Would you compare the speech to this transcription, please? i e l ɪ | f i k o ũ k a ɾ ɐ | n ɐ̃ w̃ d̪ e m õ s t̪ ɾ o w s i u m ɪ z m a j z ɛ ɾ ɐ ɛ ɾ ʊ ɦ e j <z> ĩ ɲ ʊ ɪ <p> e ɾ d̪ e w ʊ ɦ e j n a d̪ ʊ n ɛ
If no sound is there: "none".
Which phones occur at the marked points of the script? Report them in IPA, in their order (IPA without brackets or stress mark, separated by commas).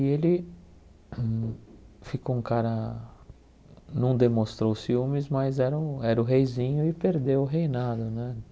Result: z, p